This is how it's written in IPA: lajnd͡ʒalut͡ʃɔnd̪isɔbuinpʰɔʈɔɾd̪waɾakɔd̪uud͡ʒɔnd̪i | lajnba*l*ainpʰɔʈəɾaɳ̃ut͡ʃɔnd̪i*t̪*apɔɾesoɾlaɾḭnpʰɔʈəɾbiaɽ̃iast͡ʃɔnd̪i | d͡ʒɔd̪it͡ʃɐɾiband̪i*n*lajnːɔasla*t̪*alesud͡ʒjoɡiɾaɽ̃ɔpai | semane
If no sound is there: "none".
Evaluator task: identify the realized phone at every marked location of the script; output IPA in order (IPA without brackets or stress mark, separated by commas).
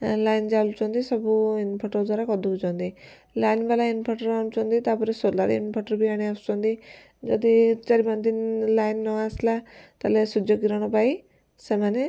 l, t̪, n, t̪